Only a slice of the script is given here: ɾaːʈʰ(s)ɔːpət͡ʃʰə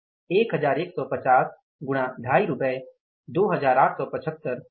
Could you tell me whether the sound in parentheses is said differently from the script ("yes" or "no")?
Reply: no